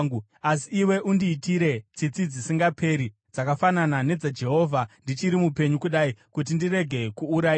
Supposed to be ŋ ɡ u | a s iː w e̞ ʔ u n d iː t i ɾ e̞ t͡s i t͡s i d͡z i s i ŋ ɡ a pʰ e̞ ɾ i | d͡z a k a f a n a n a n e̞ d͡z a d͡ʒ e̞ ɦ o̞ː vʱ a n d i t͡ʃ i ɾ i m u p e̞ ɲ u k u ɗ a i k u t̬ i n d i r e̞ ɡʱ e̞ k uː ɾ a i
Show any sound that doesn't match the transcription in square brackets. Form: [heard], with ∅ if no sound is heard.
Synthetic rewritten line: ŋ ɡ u | a s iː w e̞ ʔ u n d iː t i ɾ e̞ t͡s i t͡s i d͡z i s i ŋ ɡ a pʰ e̞ ɾ i | d͡z a k a f a n a n a n e̞ d͡z a d͡ʒ e̞ ɦ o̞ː vʱ a n d i t͡ʃ i ɾ i m u p e̞ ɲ u k u ɗ a i k u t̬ i n d i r e̞ ɡʱ e̞ k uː ɾ a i